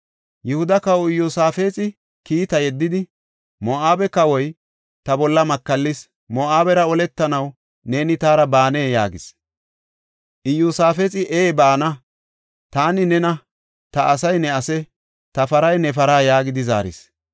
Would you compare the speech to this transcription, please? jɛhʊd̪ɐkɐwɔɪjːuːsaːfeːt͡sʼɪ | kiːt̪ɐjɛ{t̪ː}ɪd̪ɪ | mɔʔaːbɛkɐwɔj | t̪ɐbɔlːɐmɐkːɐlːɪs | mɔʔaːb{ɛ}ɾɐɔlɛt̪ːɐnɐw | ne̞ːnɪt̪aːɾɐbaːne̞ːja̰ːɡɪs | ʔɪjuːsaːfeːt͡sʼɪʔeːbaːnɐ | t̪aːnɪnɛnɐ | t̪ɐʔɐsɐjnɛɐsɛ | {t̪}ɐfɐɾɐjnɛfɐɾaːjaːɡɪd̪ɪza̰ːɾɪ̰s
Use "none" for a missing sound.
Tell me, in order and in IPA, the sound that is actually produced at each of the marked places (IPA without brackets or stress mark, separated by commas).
d̪ː, ɛ, t̪